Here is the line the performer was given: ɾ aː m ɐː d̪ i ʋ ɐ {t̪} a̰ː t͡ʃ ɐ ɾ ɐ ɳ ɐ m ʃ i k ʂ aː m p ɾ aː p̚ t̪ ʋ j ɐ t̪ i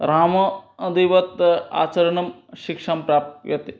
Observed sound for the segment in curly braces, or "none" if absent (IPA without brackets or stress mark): t̪